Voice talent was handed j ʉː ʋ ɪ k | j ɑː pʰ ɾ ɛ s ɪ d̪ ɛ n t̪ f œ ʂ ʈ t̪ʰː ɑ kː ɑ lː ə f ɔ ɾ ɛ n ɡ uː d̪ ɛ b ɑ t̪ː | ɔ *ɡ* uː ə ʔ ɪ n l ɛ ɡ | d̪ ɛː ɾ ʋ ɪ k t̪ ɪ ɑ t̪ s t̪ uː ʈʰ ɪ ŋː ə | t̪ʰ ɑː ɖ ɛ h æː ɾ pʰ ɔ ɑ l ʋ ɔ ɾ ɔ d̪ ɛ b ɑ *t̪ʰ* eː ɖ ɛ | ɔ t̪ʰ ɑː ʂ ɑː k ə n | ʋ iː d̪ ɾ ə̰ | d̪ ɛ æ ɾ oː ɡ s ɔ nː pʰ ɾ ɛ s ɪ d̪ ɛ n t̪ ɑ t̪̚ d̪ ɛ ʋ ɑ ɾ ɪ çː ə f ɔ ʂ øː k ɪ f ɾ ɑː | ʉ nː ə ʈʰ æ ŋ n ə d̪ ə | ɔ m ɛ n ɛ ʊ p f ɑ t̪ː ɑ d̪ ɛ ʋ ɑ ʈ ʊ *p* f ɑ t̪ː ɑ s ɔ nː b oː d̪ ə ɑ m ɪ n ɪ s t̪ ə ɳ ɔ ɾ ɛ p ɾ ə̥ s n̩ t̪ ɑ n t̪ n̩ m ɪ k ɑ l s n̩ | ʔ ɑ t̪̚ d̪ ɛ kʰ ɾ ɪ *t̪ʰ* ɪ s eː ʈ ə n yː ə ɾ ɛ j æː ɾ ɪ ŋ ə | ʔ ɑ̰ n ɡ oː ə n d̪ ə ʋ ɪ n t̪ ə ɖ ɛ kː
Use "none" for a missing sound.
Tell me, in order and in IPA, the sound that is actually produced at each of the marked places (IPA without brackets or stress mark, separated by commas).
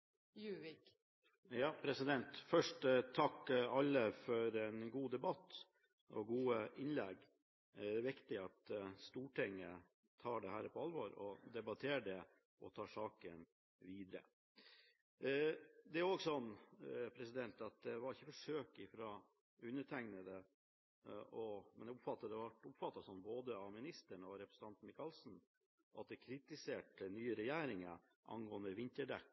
ɡ, t̪ʰ, p, t̪